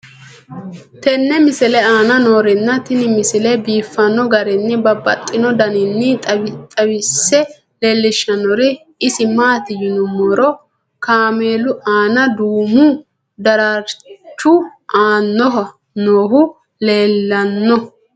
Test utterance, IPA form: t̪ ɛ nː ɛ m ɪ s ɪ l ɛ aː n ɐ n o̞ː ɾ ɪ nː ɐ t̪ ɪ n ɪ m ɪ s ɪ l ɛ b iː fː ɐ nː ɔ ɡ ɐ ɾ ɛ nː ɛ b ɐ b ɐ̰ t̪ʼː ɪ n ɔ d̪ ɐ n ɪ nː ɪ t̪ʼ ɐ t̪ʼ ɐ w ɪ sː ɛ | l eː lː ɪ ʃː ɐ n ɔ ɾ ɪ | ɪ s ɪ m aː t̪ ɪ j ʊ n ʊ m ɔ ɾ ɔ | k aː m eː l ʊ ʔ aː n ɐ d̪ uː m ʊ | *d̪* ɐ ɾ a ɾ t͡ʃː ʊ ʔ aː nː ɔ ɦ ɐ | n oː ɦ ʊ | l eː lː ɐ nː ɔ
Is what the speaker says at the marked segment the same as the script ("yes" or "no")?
yes